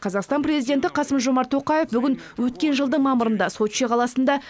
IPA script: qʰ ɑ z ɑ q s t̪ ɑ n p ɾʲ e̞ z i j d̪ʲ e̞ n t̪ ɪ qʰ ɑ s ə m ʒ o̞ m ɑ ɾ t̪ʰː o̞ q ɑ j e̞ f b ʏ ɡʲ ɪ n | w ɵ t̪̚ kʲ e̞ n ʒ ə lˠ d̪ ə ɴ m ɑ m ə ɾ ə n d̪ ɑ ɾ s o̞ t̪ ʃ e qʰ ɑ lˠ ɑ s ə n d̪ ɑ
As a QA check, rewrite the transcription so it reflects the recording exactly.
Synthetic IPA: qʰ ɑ z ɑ q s t̪ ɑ n p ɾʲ e̞ z i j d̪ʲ e̞ n t̪ ɪ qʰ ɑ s ə m ʒ o̞ m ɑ ɾ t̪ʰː o̞ q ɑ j e̞ f b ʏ ɡʲ ɪ n | w ɵ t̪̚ kʲ e̞ n ʒ ə lˠ d̪ ə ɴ m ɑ m ə ɾ ə n d̪ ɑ s o̞ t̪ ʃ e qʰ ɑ lˠ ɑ s ə n d̪ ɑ